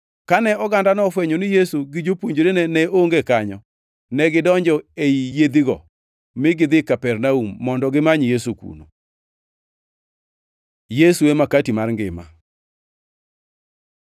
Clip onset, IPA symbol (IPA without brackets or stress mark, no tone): k